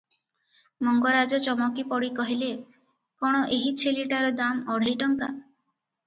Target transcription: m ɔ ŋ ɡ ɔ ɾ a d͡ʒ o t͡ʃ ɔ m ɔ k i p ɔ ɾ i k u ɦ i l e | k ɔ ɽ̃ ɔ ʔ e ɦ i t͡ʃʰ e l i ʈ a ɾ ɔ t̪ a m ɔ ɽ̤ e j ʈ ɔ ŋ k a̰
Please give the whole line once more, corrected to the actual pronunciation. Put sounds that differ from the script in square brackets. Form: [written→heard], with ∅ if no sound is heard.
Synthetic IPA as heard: m ɔ ŋ ɡ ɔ ɾ a d͡ʒ [o→ɔ] t͡ʃ ɔ m ɔ k i p ɔ [ɾ→ɽ] i k [u→ɔ] ɦ i l e | k ɔ ɽ̃ ɔ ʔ e ɦ i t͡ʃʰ e l i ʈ a ɾ ɔ [t̪→d̪] a m ɔ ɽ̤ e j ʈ ɔ ŋ k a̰